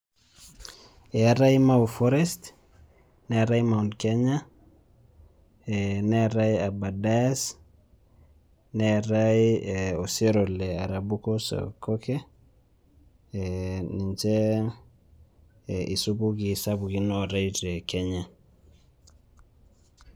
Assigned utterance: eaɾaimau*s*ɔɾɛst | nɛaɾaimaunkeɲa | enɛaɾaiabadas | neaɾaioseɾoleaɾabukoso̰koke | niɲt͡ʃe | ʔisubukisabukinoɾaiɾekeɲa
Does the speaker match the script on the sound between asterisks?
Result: no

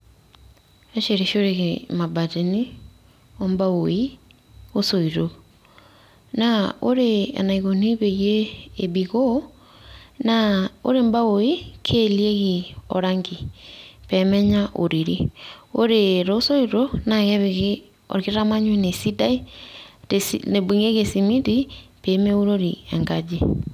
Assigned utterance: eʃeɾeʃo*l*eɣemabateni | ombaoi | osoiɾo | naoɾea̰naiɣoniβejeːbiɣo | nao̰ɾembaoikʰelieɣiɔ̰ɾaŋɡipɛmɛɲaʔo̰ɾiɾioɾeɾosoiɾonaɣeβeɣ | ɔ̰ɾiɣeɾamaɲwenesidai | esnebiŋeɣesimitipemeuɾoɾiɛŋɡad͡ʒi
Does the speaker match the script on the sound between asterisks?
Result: no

